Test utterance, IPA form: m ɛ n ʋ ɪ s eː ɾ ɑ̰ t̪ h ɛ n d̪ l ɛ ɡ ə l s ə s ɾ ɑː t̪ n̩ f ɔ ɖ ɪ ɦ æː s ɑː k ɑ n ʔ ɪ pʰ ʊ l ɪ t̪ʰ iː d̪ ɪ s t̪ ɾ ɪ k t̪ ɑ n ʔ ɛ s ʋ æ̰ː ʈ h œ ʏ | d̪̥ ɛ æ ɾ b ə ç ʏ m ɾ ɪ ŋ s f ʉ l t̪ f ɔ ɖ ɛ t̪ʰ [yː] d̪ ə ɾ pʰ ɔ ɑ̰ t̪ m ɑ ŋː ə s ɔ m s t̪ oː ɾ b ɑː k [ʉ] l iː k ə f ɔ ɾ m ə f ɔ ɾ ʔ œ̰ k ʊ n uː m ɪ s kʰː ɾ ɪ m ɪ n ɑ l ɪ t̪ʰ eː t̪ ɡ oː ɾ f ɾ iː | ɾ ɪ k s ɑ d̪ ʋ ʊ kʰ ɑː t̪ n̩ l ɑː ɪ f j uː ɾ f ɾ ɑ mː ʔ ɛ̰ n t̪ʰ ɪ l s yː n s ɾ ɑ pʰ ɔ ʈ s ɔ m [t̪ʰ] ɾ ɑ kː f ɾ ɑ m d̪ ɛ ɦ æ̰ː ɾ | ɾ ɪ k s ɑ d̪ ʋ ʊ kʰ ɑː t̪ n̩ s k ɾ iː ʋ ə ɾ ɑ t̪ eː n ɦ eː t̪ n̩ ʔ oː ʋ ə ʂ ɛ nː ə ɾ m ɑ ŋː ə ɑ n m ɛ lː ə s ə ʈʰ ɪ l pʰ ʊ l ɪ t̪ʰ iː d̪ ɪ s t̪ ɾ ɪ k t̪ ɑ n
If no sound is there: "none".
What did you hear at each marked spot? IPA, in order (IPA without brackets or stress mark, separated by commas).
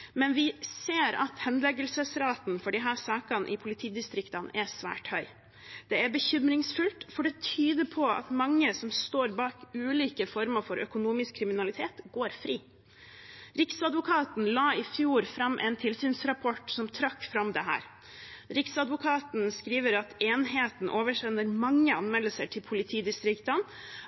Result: yː, ʉː, t̪ʰ